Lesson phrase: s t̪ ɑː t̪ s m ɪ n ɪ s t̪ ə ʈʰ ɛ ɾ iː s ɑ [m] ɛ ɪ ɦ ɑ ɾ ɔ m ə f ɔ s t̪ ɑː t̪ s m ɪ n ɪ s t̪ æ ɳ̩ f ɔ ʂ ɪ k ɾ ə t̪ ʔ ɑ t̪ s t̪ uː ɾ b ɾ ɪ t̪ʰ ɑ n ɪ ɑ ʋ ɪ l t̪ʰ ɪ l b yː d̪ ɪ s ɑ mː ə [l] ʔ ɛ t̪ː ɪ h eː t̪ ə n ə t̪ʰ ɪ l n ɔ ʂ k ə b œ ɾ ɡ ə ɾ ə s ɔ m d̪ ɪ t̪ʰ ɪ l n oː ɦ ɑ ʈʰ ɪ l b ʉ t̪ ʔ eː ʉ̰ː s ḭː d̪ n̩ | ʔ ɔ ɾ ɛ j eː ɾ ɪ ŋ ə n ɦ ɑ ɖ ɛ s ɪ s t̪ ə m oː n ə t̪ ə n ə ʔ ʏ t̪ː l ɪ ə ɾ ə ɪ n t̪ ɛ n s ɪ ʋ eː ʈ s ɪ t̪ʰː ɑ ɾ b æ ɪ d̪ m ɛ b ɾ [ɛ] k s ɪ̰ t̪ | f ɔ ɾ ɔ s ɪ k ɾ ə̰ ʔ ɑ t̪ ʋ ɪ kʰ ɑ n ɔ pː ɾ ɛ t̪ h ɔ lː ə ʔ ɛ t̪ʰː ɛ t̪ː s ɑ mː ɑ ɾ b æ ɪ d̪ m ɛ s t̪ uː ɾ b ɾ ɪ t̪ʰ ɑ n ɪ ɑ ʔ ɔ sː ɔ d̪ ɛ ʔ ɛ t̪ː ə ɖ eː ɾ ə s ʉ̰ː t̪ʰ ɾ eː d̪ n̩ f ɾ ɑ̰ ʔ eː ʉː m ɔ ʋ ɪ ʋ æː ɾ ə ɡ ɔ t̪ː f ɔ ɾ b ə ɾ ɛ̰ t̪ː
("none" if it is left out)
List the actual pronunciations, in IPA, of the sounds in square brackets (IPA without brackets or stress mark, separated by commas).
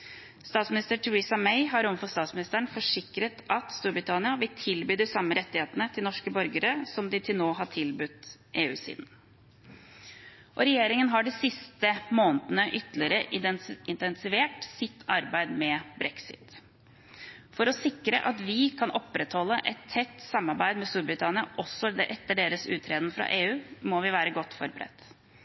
m, ɾ, ɛ